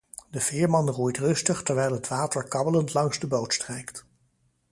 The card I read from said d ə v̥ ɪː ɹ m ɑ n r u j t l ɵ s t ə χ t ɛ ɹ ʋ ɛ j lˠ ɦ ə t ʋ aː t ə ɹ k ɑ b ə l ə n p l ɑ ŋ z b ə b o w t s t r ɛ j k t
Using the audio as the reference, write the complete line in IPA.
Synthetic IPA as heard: d ə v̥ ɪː ɹ m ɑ n r u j t r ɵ s t ə χ t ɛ ɹ ʋ ɛ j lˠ ɦ ə t ʋ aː t ə ɹ k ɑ b ə l ə n t l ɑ ŋ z d ə b o w t s t r ɛ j k t